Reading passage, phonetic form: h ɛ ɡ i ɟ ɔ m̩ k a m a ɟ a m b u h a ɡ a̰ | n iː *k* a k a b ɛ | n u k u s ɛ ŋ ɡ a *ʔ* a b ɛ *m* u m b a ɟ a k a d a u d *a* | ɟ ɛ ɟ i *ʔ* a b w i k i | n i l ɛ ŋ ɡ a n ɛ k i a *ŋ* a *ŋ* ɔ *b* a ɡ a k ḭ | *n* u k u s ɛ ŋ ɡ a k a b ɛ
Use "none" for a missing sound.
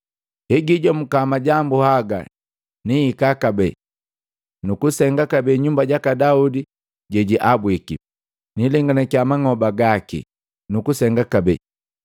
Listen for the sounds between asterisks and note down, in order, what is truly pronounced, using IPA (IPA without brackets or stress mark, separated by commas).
k, k, ɲ, i, ʔ, m, ŋ, b, n